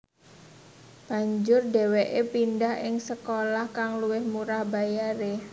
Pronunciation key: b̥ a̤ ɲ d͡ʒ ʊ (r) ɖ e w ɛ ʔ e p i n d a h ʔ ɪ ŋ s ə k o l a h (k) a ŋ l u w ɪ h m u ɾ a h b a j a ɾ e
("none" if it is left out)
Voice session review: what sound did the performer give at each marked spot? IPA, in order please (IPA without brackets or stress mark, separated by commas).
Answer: r, k